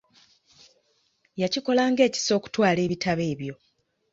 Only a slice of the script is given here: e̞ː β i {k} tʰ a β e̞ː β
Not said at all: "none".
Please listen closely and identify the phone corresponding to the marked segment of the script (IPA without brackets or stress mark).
none